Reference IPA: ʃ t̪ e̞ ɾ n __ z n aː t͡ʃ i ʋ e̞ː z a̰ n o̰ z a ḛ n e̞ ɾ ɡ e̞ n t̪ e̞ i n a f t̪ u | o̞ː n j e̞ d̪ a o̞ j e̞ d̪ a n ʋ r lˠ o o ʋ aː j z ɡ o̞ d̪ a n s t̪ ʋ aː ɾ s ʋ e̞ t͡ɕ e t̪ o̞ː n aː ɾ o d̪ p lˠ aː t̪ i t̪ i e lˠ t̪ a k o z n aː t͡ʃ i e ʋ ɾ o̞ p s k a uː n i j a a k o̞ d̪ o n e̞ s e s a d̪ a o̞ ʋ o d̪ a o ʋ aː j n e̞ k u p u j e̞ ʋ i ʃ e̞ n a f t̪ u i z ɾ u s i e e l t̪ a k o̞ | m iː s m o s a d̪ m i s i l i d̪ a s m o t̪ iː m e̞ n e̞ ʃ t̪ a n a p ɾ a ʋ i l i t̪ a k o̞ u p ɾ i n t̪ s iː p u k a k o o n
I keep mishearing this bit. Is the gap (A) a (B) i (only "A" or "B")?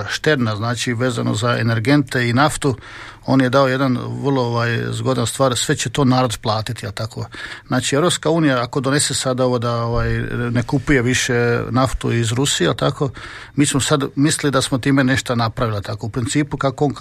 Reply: A